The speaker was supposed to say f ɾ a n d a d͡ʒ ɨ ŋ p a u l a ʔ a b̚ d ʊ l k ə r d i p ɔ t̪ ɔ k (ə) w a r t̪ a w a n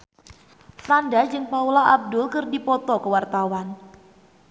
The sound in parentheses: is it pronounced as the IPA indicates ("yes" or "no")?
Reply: yes